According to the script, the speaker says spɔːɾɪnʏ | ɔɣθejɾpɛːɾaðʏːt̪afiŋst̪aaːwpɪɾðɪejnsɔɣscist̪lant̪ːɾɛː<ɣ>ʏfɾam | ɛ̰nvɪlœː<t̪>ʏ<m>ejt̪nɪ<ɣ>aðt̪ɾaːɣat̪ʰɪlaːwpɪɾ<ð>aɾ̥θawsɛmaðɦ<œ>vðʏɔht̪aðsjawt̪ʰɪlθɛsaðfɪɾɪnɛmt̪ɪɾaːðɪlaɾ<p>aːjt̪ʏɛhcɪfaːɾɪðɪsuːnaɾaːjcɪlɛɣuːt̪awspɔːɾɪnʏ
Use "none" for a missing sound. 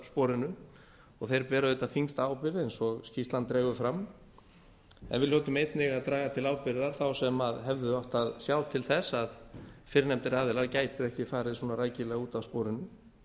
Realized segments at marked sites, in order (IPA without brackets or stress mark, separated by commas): ɣ, t̪, m, ɣ, ð, ɛ, c